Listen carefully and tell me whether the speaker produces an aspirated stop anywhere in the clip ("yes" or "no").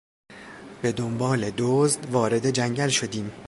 no